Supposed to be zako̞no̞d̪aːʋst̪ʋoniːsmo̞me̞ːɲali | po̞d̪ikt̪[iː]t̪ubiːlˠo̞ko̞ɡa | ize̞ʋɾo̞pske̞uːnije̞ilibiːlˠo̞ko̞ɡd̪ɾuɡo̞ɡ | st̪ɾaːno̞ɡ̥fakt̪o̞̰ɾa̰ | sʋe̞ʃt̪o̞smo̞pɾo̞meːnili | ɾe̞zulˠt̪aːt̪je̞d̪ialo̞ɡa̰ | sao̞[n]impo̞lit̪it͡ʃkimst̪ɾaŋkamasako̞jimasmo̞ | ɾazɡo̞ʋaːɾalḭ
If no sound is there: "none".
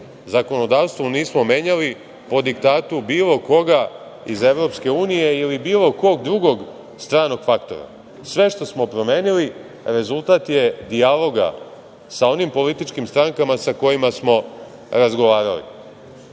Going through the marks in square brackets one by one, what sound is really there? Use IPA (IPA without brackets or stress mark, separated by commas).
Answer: aː, n